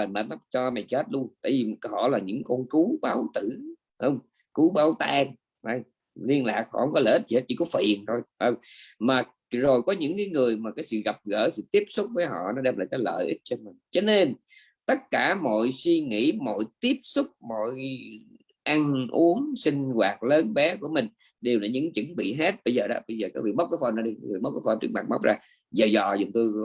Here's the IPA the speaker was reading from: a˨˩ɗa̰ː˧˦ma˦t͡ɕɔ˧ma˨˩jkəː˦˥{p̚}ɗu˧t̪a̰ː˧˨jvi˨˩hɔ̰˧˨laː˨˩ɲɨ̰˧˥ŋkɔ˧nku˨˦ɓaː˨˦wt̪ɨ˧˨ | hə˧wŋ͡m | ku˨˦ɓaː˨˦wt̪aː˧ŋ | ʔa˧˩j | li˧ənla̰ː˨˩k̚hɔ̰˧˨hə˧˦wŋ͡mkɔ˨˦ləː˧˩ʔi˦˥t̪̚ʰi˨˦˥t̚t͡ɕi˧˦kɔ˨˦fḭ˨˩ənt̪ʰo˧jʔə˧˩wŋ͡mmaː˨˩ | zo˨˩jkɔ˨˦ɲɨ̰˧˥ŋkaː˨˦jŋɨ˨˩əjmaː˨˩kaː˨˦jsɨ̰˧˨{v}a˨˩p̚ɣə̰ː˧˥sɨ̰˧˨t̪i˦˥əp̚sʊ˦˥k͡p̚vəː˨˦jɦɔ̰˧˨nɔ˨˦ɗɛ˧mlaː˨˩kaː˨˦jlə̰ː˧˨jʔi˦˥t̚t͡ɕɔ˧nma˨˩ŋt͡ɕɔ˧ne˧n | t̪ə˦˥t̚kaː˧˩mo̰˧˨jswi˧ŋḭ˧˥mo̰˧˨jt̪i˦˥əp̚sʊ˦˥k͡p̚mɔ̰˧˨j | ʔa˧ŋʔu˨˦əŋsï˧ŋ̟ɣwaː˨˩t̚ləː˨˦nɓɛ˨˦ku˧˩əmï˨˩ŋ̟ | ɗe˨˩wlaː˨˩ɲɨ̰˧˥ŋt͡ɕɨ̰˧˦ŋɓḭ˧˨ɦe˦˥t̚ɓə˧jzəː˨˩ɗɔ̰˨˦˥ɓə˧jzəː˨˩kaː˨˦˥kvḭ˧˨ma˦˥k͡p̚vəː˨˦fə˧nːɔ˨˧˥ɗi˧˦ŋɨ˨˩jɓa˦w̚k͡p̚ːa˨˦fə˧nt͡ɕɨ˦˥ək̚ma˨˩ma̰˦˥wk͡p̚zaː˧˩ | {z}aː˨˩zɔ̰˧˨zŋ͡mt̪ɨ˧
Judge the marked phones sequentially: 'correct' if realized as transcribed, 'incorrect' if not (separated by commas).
incorrect, incorrect, correct